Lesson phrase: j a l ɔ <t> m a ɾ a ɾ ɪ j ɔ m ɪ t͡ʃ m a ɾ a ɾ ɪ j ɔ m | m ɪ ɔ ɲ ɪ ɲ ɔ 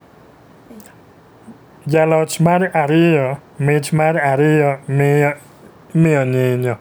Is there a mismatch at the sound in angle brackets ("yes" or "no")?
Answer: yes